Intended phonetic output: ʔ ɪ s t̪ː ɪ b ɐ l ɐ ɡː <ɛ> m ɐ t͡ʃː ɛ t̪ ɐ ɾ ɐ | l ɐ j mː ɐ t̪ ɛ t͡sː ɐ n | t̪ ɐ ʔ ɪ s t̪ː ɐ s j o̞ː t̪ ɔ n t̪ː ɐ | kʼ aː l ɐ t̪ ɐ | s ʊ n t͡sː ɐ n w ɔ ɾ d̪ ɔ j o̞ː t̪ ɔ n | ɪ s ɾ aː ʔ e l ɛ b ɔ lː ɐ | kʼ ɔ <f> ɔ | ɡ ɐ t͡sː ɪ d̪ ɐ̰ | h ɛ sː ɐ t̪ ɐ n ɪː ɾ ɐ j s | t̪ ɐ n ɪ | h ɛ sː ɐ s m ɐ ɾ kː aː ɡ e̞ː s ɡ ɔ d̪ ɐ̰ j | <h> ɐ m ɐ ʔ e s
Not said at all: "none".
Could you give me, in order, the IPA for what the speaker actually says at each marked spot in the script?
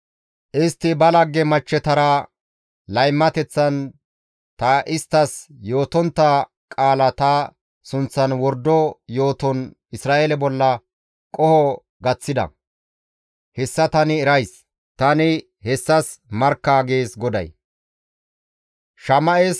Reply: ɛ, h, ʃ

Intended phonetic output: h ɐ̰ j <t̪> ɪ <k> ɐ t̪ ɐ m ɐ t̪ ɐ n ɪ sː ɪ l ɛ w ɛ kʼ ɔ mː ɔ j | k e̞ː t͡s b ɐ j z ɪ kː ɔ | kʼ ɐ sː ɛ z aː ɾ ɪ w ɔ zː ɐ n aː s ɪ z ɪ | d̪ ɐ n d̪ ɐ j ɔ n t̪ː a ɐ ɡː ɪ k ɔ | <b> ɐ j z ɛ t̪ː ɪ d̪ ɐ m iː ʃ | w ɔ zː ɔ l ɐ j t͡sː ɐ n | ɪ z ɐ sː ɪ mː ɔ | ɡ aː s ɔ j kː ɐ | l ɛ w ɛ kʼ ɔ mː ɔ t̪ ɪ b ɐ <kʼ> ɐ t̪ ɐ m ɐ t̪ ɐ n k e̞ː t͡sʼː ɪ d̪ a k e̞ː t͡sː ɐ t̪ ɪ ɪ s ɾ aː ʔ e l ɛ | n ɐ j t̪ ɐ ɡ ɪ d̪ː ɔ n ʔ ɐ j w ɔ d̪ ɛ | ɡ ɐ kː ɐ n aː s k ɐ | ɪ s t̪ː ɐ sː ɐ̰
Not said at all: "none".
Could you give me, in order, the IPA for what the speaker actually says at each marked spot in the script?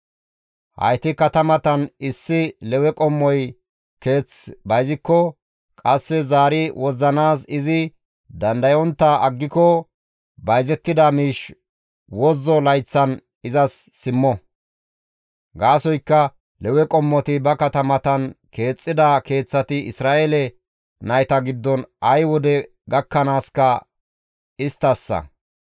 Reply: t̪, k, b, k

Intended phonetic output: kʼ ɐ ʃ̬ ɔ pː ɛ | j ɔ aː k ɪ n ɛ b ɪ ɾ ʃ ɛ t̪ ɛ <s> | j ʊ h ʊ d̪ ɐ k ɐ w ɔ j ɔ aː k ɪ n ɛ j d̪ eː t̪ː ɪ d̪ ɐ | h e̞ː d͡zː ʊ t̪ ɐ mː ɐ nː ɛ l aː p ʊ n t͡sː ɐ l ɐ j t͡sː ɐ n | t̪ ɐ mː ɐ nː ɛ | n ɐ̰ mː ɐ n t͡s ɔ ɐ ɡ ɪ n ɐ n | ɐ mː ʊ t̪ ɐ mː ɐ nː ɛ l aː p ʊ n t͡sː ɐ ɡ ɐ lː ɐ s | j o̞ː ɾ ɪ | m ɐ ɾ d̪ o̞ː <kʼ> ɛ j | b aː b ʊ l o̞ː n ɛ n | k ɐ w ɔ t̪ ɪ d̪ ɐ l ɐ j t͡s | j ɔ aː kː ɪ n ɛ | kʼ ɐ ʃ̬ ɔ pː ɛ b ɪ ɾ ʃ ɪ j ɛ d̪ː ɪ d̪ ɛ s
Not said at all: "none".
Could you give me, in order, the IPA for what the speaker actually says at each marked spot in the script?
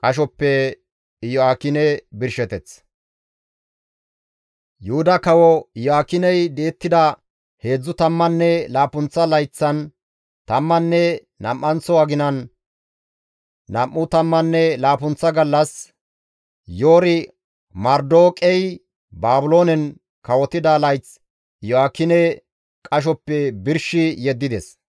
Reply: t͡s, kʼ

